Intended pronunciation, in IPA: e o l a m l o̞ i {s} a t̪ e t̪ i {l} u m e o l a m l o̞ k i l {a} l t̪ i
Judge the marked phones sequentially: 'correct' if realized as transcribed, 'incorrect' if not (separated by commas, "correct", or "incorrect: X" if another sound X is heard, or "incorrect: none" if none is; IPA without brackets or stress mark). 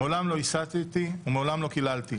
correct, incorrect: none, correct